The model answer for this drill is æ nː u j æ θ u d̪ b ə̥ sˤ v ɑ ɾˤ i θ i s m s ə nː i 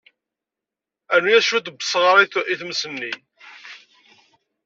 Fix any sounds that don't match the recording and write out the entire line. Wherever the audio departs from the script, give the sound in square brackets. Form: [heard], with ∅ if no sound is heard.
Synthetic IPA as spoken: æ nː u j æ [ʃ] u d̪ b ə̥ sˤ [ʁ] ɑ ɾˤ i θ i [θ] m s ə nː i